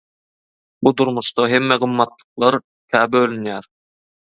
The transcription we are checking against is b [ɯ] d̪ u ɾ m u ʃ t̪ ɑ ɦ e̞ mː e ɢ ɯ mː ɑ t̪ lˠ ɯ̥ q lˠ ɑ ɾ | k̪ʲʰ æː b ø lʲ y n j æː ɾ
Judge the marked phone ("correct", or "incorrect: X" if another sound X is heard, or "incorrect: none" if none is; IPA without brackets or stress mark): incorrect: u